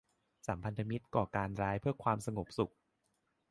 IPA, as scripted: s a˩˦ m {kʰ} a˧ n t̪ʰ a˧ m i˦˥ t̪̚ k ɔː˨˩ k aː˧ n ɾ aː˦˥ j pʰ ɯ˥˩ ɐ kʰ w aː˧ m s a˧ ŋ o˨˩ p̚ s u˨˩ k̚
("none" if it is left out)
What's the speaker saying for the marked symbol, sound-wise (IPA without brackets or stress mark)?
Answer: pʰ